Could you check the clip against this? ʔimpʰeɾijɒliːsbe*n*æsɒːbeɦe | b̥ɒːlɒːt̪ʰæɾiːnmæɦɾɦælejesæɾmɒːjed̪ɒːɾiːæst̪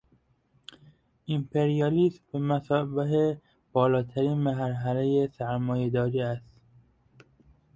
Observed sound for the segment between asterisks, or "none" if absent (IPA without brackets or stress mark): m